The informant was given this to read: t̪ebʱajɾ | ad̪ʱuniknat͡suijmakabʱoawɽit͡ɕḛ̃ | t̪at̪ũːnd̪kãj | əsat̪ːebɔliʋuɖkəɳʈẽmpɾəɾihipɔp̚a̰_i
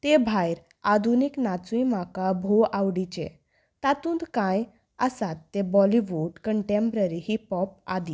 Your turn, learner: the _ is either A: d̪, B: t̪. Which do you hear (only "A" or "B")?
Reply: A